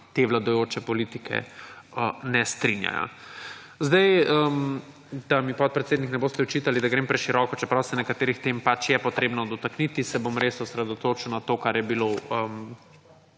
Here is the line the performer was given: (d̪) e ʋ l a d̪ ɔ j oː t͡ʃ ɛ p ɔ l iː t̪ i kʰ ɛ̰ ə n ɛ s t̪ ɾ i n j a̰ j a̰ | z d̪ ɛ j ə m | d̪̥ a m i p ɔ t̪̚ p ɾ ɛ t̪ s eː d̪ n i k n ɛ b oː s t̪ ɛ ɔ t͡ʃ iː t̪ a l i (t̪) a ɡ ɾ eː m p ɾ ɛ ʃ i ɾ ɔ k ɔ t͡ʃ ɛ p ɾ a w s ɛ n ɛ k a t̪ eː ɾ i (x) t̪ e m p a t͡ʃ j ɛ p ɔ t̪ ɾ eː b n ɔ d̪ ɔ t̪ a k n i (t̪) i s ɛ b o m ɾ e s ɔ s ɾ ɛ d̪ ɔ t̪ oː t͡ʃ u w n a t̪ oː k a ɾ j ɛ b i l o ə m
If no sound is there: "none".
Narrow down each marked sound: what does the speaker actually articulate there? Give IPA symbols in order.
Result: t̪, d̪, x, t̪

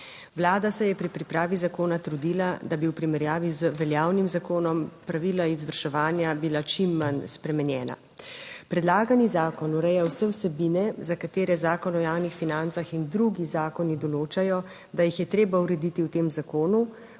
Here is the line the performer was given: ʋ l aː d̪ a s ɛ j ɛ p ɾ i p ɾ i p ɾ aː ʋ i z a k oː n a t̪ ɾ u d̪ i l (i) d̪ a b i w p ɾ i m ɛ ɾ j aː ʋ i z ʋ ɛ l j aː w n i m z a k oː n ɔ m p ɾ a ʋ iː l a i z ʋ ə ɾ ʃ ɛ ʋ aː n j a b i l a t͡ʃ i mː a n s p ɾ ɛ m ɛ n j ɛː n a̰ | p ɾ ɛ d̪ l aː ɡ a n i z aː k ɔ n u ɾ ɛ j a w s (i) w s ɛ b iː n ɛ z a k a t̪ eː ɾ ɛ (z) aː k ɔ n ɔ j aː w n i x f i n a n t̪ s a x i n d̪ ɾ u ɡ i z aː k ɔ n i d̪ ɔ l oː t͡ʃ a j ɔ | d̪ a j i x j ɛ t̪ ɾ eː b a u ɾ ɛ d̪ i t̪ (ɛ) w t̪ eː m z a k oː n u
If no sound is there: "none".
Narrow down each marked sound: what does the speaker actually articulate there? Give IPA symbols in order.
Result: a, ɛ, z, i

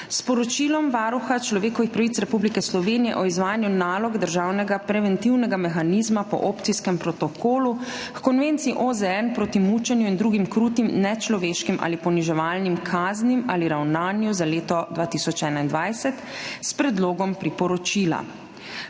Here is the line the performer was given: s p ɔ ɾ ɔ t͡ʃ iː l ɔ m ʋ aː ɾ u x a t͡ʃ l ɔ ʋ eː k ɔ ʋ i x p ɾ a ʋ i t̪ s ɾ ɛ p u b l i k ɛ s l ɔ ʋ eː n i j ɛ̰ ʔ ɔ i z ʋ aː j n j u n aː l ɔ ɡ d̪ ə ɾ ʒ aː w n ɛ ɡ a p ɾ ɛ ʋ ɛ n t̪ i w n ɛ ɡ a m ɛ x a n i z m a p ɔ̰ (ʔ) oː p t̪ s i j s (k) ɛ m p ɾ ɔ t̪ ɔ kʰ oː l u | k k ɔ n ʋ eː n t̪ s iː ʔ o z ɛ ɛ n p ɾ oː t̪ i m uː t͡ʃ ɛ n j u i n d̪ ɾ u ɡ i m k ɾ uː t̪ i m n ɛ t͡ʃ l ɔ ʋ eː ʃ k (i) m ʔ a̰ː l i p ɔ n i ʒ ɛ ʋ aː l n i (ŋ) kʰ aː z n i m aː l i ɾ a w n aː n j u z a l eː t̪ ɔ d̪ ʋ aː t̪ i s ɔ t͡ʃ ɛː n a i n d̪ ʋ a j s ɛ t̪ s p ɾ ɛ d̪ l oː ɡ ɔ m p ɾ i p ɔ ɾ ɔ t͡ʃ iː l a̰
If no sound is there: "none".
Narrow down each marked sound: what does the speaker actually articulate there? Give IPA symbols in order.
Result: ʔ, k, i, m

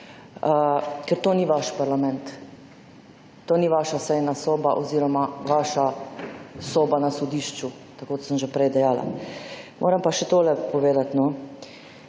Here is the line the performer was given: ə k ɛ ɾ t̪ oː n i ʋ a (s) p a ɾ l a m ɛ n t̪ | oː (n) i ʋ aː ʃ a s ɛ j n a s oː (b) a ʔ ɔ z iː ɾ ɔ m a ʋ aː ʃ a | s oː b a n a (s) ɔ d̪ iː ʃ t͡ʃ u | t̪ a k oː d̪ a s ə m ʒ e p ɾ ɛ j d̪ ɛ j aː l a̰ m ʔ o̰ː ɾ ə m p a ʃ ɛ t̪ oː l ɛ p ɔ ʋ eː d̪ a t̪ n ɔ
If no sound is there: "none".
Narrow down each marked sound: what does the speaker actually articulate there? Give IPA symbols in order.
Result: ʃ, n, b, s

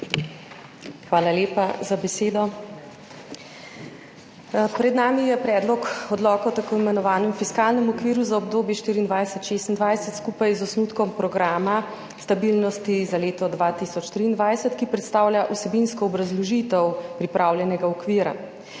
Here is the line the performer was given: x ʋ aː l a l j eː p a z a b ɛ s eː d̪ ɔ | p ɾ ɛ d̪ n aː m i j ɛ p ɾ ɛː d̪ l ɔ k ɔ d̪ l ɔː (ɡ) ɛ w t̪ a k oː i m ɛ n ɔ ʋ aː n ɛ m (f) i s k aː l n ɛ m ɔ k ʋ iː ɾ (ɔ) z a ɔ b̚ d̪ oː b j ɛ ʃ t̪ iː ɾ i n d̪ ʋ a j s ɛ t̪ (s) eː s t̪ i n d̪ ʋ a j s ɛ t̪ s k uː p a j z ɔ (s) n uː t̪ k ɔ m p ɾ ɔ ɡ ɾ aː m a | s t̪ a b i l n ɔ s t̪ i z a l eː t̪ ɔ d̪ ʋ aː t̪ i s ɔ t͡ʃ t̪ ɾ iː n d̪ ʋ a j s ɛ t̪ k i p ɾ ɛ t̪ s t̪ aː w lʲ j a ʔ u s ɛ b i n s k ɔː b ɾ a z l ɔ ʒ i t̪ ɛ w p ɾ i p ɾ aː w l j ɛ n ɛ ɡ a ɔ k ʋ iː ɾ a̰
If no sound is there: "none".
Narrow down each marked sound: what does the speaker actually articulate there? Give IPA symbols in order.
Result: k, f, u, ʃ, s

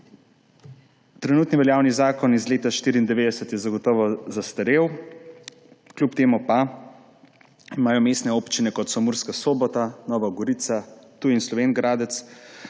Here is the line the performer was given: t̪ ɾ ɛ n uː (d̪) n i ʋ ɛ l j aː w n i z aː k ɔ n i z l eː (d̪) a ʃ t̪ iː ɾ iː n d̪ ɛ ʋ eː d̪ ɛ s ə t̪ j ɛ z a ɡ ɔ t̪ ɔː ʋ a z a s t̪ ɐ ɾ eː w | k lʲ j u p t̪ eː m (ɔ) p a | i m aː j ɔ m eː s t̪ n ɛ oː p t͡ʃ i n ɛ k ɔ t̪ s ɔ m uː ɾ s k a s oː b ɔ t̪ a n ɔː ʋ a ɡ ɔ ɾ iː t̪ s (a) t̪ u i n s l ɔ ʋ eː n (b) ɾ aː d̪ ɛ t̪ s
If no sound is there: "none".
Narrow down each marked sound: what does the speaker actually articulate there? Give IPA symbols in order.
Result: t̪, t̪, u, a, ɡ

